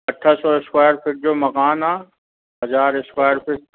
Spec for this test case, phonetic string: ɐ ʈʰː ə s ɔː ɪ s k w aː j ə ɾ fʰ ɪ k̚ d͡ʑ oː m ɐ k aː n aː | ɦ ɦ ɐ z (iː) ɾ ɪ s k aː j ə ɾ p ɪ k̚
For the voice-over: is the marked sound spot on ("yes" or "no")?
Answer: no